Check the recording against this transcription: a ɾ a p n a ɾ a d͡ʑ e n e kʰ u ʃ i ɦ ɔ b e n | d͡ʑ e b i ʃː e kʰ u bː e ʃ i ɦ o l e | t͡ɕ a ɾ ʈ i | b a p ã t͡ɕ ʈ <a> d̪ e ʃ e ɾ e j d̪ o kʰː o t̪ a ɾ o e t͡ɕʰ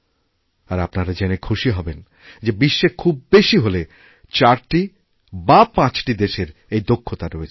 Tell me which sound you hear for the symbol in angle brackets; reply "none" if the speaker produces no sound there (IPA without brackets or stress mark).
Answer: i